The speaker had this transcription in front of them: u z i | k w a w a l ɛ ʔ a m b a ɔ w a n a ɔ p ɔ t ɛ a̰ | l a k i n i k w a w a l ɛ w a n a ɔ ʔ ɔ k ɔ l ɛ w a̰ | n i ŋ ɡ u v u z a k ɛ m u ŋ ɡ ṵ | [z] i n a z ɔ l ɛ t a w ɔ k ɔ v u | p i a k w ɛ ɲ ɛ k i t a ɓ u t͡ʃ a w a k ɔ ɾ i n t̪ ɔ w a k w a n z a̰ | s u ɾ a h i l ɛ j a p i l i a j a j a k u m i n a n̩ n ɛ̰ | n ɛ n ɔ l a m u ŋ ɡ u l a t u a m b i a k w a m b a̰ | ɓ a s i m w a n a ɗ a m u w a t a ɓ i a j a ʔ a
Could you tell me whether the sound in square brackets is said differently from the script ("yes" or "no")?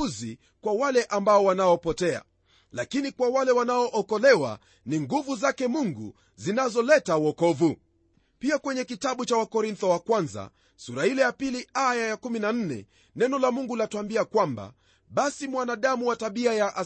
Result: no